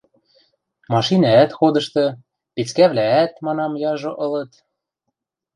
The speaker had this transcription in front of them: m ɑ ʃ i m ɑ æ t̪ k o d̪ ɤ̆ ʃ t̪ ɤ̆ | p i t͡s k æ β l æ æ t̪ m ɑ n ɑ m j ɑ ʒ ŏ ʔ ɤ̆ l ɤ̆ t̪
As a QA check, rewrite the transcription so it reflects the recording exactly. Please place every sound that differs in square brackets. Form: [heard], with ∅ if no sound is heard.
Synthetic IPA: m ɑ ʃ i [n] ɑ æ t̪ [x] o d̪ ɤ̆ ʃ t̪ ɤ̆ | p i t͡s k æ β l æ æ t̪ m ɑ n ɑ m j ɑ ʒ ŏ ʔ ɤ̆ l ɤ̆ t̪